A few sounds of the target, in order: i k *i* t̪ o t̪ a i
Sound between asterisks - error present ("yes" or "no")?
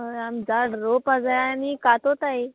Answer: yes